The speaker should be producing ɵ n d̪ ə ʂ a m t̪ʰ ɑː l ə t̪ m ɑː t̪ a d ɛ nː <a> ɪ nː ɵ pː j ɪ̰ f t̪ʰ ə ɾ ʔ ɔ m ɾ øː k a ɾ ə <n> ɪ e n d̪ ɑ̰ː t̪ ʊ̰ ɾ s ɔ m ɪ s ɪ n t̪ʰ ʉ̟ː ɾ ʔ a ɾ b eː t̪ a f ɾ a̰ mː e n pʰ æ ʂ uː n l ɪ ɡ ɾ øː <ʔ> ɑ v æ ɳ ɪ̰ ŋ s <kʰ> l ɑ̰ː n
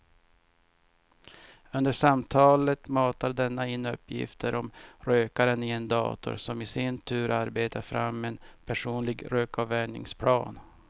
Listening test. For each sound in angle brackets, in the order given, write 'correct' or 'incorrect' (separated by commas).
correct, correct, incorrect, incorrect